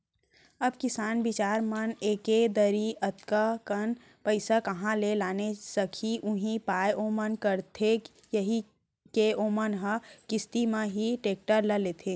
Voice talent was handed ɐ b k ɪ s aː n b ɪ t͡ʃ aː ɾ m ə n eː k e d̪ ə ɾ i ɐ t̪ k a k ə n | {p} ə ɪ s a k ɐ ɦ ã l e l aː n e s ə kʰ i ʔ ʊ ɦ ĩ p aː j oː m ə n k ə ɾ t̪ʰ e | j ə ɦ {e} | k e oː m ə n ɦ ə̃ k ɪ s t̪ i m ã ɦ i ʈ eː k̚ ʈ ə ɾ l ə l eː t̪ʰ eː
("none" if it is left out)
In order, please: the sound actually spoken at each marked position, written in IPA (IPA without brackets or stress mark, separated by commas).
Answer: p, i